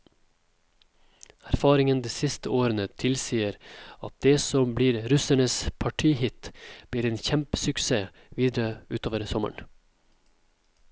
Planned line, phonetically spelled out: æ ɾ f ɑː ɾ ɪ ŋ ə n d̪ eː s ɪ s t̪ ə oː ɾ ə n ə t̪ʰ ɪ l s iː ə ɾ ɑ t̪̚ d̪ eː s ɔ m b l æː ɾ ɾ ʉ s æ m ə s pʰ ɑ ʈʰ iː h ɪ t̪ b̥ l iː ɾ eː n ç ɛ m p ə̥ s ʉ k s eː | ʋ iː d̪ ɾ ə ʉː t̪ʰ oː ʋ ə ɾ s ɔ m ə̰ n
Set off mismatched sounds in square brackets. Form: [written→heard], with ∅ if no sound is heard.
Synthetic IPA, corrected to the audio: æ ɾ f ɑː ɾ ɪ ŋ ə n d̪ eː s ɪ s t̪ ə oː ɾ ə n ə t̪ʰ ɪ l s iː ə ɾ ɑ t̪̚ d̪ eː s ɔ m b l [æː→iː] ɾ ɾ ʉ s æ [m→ɳ] ə s pʰ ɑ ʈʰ iː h ɪ t̪ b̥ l iː ɾ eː n ç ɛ m p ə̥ s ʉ k s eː | ʋ iː d̪ ɾ ə ʉː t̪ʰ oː ʋ ə ɾ s ɔ m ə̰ [n→ɳ]